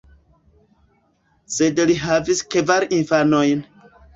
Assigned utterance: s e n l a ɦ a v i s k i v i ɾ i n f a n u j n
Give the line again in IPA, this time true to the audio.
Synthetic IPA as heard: s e d l i ɦ a v i s k e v a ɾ i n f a n o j n